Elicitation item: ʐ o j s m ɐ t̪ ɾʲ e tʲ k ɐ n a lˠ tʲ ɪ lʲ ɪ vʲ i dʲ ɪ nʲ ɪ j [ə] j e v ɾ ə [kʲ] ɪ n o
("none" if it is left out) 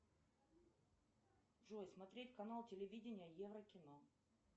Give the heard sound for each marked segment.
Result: ə, kʲ

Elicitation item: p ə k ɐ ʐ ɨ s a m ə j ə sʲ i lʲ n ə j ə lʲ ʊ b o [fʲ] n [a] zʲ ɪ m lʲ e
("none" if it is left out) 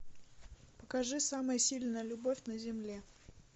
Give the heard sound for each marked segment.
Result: fʲ, ə

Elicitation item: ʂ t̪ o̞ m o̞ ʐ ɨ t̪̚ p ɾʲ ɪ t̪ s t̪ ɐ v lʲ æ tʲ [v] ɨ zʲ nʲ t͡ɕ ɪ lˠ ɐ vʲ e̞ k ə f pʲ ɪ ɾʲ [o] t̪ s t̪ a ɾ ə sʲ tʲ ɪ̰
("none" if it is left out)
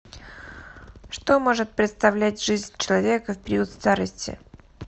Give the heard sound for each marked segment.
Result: ʐ, u

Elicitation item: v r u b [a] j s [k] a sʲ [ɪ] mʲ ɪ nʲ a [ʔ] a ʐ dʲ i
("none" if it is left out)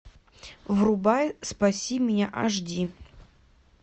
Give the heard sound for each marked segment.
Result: a, p, i, ʔ

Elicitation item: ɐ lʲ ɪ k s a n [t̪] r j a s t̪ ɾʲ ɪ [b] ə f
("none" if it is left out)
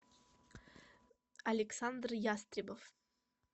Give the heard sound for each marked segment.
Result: d̪, b

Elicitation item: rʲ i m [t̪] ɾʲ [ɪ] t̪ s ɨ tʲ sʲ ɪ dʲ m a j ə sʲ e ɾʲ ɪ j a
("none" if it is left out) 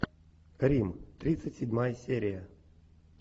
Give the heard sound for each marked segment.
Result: t̪, i

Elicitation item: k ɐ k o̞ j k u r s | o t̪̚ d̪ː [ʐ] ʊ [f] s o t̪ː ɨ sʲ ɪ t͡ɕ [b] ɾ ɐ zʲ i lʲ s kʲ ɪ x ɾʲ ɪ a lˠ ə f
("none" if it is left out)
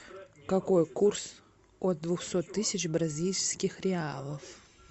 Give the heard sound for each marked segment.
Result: v, x, b

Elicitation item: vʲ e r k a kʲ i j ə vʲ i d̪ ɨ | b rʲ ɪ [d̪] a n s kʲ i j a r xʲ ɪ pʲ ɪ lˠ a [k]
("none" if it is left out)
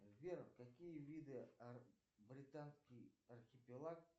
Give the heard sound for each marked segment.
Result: t̪, k

